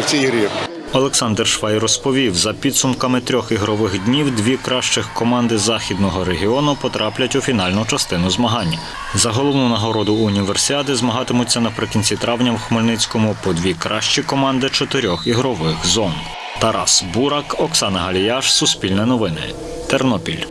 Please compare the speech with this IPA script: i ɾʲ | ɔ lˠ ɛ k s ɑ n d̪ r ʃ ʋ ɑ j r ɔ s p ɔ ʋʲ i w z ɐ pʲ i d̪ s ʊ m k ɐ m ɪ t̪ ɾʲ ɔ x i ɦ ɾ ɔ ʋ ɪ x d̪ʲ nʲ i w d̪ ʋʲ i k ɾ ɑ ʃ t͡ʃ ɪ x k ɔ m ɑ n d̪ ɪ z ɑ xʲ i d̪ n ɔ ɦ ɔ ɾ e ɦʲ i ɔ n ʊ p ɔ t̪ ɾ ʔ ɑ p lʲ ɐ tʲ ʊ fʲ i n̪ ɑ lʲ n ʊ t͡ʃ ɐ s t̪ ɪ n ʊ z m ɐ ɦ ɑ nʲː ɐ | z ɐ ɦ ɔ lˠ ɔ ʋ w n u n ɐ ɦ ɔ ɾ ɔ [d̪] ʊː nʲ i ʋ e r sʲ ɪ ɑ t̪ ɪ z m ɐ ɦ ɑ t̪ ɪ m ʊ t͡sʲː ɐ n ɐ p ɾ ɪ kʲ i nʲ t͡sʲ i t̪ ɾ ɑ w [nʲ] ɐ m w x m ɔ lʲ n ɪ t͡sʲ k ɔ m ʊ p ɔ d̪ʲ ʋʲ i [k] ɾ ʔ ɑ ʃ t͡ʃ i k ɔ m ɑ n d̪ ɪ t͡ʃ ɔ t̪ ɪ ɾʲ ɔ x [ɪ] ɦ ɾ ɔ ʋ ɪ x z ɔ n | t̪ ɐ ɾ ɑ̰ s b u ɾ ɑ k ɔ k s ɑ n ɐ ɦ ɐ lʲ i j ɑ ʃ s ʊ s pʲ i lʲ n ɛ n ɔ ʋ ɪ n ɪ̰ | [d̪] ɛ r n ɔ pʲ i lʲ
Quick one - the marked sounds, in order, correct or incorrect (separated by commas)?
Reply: correct, correct, correct, incorrect, incorrect